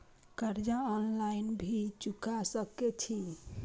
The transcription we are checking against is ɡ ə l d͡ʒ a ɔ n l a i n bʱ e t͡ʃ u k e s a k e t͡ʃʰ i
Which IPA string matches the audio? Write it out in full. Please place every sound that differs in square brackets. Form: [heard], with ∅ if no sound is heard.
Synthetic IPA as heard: [k] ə [ɾ] d͡ʒ a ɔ n l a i n bʱ [i] t͡ʃ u k [a] s [ə] k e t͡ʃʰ i